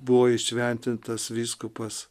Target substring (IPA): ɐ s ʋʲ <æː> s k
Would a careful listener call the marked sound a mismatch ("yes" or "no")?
yes